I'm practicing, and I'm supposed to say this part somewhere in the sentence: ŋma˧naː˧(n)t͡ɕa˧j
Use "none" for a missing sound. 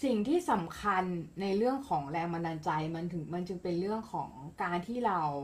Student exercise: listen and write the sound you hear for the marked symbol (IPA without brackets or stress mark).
n